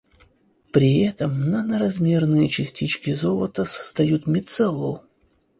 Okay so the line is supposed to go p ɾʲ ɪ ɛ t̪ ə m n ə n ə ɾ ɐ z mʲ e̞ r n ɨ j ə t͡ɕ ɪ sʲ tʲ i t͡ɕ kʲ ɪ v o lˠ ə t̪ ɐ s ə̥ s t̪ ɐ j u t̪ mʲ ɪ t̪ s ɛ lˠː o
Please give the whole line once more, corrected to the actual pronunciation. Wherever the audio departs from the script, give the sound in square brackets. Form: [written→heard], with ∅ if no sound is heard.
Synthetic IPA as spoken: p ɾʲ ɪ ɛ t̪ ə m n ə n ə ɾ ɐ z mʲ e̞ r n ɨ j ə t͡ɕ ɪ sʲ tʲ i t͡ɕ kʲ ɪ [v→z] o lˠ ə t̪ [ɐ→ə] s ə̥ s t̪ ɐ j u t̪ mʲ ɪ t̪ s ɛ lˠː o